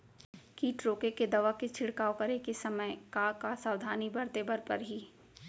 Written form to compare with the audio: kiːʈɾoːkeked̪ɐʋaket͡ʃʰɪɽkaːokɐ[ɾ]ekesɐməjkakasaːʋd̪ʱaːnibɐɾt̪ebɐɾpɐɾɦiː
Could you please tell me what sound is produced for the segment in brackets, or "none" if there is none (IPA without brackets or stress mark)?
ɾ